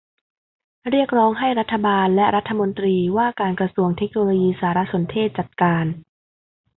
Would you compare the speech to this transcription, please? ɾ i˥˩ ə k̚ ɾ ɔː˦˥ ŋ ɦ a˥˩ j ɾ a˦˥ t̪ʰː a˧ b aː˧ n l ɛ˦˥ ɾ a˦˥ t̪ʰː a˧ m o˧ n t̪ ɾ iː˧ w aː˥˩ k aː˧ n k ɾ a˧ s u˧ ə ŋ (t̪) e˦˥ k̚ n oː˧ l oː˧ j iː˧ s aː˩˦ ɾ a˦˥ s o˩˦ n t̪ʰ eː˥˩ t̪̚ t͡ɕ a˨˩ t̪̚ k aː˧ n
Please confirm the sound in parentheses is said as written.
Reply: no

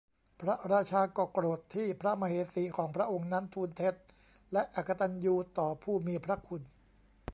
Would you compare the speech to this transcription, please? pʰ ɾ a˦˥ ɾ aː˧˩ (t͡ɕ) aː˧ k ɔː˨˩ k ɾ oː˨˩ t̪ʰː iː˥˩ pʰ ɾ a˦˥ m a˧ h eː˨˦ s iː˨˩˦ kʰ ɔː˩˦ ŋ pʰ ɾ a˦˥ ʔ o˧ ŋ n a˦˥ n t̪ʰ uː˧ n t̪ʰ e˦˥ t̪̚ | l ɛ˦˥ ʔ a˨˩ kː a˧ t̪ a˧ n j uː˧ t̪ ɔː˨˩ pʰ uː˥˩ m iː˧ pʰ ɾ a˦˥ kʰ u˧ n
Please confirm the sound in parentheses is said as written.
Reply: no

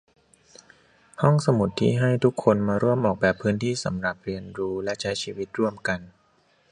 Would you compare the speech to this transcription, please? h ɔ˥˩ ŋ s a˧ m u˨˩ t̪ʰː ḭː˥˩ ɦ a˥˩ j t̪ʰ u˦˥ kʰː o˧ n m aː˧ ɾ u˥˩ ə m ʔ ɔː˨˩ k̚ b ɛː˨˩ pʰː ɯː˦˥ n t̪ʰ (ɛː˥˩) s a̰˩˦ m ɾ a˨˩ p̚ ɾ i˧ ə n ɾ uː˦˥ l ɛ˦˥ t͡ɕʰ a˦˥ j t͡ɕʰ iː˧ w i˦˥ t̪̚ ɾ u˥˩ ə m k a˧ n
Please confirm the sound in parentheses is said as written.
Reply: no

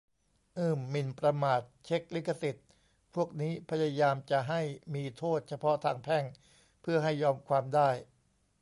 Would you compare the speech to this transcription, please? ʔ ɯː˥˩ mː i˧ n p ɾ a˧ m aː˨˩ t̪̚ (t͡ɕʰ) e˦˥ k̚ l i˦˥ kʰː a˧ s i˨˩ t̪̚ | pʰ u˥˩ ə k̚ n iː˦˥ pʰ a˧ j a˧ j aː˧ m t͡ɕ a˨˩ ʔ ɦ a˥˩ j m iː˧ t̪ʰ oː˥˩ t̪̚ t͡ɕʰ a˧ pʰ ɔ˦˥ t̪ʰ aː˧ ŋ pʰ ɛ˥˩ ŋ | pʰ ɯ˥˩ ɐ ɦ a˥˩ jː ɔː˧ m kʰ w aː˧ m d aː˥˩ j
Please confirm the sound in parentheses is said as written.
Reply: yes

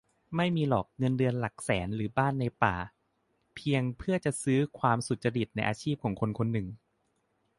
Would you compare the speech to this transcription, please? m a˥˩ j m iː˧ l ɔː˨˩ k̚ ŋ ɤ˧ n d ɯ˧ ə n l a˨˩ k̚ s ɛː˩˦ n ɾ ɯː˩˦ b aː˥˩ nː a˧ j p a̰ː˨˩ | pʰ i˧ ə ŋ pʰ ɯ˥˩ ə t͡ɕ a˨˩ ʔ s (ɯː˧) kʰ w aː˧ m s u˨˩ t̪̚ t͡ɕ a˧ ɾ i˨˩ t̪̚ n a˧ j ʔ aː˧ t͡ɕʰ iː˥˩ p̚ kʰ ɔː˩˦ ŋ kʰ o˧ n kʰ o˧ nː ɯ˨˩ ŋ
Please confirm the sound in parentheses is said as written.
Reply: no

